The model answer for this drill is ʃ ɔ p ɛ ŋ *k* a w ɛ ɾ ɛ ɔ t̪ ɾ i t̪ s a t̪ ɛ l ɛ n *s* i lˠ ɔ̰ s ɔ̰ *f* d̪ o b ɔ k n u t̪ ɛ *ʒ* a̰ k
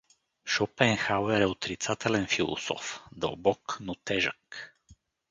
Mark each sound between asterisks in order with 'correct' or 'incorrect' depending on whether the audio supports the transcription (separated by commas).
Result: incorrect, incorrect, correct, correct